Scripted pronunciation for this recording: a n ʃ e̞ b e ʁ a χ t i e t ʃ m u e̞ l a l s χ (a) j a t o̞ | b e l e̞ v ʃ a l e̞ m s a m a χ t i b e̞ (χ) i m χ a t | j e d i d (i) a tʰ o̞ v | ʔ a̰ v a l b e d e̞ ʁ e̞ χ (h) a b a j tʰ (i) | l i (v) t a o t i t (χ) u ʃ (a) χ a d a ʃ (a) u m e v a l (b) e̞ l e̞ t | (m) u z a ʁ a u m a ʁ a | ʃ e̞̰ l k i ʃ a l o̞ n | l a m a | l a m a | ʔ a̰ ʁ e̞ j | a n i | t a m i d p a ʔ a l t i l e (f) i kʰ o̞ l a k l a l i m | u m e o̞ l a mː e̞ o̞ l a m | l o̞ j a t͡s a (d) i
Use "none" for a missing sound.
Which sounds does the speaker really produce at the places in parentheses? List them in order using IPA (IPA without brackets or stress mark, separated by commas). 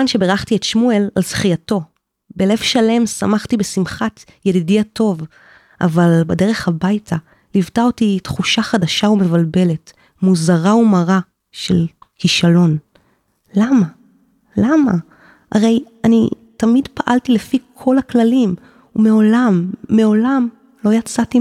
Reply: i, s, i, h, a, v, χ, a, a, b, m, f, t